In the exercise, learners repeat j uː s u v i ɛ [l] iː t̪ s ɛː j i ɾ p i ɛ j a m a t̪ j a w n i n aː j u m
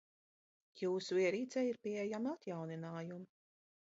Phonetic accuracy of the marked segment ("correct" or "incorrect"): incorrect